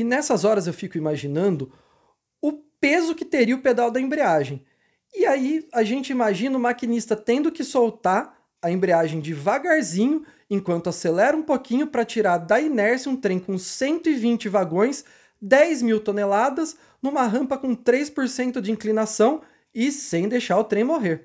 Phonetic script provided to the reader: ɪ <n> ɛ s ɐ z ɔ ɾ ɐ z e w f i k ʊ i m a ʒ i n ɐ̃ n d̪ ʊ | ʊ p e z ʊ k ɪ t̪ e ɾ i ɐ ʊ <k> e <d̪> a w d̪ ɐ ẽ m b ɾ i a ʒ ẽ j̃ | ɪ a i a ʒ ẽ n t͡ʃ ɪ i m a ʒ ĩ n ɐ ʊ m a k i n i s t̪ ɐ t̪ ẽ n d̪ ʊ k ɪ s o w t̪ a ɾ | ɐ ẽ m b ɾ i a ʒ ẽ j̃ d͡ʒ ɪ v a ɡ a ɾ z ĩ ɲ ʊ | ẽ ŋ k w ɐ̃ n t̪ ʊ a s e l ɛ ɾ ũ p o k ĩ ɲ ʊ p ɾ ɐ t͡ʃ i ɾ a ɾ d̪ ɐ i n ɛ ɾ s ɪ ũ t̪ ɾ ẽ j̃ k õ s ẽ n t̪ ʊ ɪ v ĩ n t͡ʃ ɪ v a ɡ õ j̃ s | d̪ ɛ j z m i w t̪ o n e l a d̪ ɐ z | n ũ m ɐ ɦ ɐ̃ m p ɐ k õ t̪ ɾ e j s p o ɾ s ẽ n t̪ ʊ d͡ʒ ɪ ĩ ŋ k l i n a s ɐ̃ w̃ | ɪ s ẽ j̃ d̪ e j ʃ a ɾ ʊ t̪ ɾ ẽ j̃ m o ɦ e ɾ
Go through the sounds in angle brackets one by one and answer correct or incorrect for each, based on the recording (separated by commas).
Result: correct, incorrect, correct